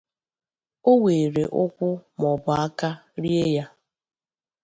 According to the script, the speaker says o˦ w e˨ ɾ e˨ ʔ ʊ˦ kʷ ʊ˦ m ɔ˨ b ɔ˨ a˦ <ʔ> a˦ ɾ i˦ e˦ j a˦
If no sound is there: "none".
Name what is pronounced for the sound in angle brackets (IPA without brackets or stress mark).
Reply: k